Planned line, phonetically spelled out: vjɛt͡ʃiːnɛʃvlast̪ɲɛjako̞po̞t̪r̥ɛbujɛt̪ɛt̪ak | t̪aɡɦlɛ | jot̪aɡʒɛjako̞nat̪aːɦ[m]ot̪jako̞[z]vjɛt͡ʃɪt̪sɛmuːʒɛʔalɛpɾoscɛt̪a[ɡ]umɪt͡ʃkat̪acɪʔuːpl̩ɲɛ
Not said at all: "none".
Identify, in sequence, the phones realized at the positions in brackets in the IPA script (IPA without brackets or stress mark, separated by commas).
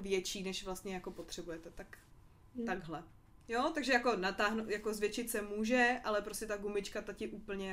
n, z, ɡ